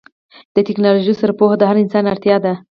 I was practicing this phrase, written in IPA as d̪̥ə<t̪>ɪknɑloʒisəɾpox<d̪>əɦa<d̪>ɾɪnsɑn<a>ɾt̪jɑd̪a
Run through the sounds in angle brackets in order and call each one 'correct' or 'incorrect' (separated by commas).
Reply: correct, correct, incorrect, correct